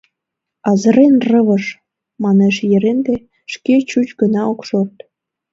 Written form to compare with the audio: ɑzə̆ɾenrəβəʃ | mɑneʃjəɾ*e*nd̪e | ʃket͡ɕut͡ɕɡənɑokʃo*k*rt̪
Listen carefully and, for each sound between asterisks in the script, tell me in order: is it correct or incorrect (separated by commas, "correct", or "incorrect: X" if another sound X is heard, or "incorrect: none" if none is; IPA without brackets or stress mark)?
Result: correct, incorrect: none